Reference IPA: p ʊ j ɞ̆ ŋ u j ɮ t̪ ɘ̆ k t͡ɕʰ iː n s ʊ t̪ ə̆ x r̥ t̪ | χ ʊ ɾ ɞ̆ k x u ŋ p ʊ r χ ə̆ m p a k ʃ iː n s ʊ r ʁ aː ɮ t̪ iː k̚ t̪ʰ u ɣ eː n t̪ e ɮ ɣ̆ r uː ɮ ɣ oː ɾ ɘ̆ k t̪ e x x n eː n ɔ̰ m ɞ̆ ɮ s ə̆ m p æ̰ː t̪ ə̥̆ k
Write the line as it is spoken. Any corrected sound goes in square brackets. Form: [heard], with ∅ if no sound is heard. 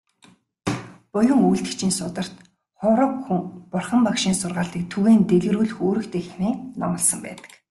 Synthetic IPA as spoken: p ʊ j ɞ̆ ŋ u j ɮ t̪ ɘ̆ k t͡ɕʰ iː n s ʊ t̪ ə̆ [∅] r̥ t̪ | χ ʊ ɾ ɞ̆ k x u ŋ p ʊ r χ ə̆ m p a k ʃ iː n s ʊ r ʁ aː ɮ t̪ iː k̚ t̪ʰ u ɣ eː n t̪ e ɮ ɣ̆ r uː ɮ [x] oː ɾ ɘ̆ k t̪ e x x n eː n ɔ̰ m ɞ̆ ɮ s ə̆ m p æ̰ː t̪ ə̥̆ k